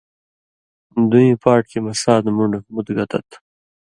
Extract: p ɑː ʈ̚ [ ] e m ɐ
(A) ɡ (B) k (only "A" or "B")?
B